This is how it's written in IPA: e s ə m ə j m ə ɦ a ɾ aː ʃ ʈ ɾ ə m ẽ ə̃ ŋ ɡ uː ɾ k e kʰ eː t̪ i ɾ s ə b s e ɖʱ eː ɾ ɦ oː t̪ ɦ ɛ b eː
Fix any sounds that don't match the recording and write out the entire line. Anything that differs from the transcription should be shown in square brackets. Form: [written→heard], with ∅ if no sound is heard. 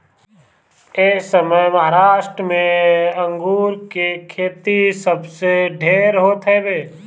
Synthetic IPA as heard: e s ə m ə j m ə ɦ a ɾ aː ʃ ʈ ɾ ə m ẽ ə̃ ŋ ɡ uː ɾ k e kʰ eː t̪ i [ɾ→∅] s ə b s e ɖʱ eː ɾ ɦ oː t̪ ɦ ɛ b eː